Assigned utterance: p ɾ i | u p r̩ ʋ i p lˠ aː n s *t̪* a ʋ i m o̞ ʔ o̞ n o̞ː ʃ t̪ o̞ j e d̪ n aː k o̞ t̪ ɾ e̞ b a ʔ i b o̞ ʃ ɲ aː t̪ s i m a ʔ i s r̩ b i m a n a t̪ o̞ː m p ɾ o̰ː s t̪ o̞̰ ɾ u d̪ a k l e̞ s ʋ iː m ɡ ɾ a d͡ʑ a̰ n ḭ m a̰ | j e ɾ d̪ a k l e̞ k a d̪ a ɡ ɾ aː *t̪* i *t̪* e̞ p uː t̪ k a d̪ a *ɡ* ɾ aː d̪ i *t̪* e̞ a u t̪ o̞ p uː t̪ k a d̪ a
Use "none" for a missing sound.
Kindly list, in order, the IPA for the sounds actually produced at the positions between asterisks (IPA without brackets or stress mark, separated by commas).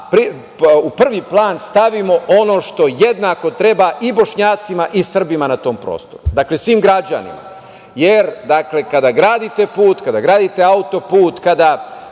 t̪, d̪, t̪, ɡ, t̪